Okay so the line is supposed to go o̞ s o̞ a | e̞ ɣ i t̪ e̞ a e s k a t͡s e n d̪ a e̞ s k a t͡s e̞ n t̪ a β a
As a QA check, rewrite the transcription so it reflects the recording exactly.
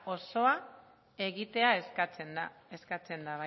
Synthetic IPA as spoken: o̞ s o̞ a | e̞ ɣ i t̪ e̞ a e s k a t͡s e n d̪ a e̞ s k a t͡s e̞ n d̪ a β a